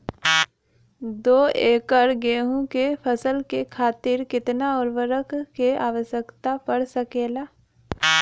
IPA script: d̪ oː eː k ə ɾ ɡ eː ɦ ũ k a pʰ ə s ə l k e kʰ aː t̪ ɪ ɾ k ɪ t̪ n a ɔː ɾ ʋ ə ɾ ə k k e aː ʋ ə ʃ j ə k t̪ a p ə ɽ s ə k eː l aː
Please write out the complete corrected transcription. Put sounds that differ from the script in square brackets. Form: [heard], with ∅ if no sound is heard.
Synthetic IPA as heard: d̪ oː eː k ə ɾ ɡ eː ɦ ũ k [e] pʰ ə s ə l k e kʰ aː t̪ ɪ ɾ k ɪ t̪ n a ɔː ɾ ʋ ə ɾ ə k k e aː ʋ ə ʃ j ə k t̪ a p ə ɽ s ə k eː l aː